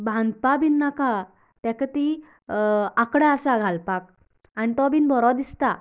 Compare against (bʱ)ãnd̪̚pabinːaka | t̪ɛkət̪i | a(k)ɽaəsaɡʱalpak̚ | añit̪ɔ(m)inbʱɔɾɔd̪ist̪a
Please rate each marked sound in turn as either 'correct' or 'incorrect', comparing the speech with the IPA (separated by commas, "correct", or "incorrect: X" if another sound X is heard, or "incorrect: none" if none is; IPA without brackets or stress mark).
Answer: correct, correct, incorrect: b